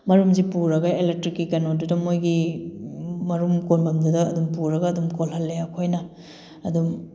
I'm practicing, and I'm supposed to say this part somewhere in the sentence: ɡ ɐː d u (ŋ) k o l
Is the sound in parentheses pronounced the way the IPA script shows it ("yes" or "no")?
no